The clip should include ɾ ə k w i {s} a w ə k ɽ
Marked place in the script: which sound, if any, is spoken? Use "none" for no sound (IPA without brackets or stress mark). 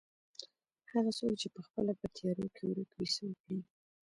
s